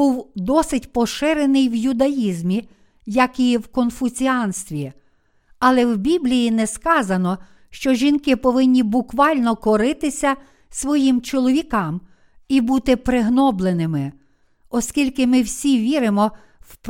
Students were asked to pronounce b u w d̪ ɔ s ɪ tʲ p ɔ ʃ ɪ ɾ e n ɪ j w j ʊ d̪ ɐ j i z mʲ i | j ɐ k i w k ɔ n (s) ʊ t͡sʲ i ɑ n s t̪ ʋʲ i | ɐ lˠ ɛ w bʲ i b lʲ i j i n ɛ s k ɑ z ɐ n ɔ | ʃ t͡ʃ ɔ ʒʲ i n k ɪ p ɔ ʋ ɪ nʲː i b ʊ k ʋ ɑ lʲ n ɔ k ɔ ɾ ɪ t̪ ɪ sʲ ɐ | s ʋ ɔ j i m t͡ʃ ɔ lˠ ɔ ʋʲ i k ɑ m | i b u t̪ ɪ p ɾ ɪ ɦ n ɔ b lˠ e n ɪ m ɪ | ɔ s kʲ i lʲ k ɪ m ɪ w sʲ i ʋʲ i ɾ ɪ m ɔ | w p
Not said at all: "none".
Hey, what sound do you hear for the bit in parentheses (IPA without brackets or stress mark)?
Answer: f